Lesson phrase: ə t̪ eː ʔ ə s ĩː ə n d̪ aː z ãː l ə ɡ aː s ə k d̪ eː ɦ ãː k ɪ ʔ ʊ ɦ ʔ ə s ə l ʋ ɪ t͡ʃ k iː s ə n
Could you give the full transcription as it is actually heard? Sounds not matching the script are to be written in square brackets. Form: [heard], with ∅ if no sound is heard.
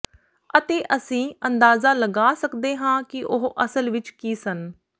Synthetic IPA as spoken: ə t̪ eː ʔ ə s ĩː ə n d̪ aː z [aː] l ə ɡ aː s ə k d̪ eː ɦ ãː k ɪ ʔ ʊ ɦ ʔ ə s ə l ʋ ɪ t͡ʃ k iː s ə n